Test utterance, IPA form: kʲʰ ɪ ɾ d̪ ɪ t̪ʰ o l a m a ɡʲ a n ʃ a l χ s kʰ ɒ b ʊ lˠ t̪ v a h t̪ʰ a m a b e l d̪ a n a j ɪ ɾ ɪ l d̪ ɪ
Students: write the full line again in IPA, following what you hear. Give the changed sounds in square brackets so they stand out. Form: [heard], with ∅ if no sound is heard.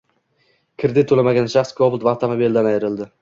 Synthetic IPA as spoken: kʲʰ ɪ ɾ d̪ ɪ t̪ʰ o l a m a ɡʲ a n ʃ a [∅] χ s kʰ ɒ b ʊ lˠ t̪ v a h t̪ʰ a m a b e l d̪ a n a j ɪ ɾ ɪ l d̪ ɪ